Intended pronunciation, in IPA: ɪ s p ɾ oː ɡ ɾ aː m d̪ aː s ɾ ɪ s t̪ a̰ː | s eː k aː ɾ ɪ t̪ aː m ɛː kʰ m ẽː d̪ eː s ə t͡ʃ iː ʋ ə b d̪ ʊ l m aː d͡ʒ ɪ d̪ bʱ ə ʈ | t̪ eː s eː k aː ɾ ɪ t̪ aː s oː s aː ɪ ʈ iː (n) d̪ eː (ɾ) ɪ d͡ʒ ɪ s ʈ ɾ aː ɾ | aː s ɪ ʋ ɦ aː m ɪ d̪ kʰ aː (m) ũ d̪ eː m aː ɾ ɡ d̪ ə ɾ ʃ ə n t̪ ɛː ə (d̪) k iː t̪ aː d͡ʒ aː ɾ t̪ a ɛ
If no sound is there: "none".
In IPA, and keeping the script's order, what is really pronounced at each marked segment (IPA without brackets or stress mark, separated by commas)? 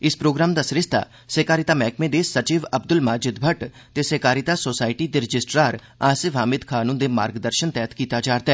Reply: none, ɾ, n, t̪